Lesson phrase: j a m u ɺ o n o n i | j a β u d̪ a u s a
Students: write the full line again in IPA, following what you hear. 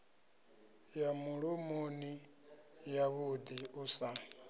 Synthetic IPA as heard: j a m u ɺ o m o n i | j a β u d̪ i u s a